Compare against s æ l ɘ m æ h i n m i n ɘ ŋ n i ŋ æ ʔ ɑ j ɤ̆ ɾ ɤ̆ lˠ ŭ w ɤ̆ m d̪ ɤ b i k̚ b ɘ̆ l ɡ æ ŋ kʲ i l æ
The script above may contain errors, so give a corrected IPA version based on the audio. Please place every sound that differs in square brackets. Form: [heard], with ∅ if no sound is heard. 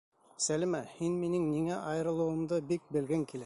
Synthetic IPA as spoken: s æ l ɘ m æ h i n m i n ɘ ŋ n i ŋ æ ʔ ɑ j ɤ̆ ɾ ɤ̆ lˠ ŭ w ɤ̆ m d̪ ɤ b i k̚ b ɘ̆ l ɡ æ ŋ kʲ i l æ